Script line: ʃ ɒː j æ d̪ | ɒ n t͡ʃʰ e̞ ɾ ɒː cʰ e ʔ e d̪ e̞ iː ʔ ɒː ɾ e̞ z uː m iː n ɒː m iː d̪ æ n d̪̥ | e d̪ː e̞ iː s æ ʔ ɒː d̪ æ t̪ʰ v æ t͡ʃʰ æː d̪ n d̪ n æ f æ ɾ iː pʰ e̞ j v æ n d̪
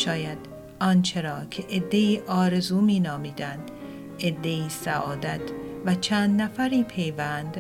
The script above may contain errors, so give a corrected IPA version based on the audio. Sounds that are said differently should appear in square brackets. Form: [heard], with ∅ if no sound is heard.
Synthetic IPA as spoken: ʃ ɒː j æ d̪ | ɒ n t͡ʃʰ e̞ ɾ ɒː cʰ e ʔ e [d̪ː] e̞ iː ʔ ɒː ɾ e̞ z uː m iː n ɒː m iː d̪ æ n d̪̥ | e d̪ː e̞ iː s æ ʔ ɒː d̪ æ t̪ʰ v æ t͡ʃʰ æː [∅] n d̪ n æ f æ ɾ iː pʰ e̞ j v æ n d̪